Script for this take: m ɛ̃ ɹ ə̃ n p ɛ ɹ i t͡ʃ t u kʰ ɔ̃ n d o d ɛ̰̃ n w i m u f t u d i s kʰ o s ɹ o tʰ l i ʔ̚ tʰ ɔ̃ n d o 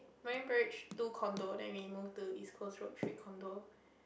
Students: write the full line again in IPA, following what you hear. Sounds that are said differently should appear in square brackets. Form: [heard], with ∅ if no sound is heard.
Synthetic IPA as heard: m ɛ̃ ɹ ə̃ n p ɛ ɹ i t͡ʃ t u kʰ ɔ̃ n d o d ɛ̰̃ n w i m u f t u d i s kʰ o s ɹ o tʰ [ɹ] i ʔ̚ [kʰ] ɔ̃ n d o